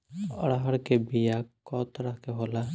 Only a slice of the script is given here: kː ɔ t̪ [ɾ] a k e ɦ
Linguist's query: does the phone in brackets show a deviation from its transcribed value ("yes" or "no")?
no